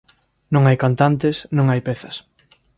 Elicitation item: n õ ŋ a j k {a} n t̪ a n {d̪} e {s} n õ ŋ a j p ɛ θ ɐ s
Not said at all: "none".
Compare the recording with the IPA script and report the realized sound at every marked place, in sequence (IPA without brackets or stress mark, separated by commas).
a, t̪, s